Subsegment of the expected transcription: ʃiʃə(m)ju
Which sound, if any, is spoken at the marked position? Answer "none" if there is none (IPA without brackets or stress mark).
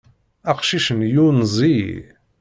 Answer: n